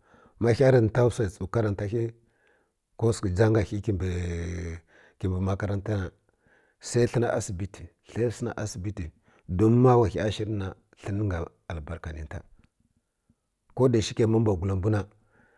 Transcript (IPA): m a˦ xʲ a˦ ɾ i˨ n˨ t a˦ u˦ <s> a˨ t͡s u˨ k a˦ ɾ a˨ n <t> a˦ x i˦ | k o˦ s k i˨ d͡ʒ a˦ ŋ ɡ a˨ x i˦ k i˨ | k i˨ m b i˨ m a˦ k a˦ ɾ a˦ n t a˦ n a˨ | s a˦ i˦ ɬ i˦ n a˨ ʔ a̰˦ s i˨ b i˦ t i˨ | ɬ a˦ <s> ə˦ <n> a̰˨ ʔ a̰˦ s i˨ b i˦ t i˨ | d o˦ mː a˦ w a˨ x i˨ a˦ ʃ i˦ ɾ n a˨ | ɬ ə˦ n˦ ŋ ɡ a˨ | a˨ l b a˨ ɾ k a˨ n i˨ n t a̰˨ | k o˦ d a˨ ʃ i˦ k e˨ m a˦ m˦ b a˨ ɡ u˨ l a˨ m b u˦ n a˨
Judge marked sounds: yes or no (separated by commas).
yes, yes, yes, yes